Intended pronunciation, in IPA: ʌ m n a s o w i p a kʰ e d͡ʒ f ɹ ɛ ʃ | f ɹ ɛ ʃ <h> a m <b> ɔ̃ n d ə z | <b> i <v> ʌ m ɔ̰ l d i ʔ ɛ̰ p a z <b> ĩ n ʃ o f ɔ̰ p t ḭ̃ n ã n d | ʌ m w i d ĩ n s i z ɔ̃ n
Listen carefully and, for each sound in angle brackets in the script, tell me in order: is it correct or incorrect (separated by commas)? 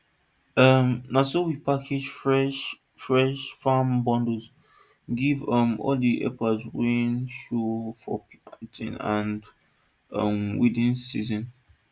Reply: incorrect, correct, incorrect, correct, incorrect